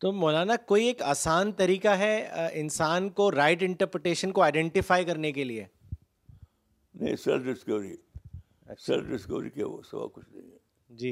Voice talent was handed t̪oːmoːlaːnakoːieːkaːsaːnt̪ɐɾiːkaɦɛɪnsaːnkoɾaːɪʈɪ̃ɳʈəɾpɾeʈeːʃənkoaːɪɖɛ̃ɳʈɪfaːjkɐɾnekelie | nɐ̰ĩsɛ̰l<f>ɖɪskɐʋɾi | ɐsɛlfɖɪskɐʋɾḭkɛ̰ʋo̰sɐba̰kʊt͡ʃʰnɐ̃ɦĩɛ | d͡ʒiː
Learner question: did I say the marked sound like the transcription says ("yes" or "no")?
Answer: yes